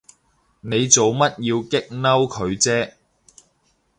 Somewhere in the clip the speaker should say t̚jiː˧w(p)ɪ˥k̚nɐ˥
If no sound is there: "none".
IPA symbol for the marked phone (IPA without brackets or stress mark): k